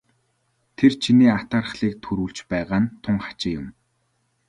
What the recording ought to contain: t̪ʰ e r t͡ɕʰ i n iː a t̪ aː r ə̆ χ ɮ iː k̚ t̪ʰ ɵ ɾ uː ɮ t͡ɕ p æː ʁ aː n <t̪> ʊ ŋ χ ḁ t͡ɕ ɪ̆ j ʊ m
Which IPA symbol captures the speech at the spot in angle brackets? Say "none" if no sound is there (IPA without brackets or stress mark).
t̪ʰ